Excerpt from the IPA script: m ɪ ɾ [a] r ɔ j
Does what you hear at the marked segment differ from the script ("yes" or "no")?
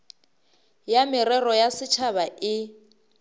yes